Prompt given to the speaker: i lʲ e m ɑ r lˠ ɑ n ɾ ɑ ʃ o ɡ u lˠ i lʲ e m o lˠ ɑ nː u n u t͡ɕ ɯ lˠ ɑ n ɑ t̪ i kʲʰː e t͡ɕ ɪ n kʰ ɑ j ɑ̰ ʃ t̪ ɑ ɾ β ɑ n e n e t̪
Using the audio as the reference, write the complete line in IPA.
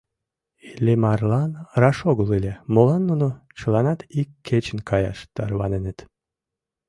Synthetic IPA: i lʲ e m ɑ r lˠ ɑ n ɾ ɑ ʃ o ɡ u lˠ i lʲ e m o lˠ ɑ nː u n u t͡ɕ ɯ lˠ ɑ n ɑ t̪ i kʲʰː e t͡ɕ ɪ n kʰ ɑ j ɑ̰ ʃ t̪ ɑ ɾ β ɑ n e n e t̪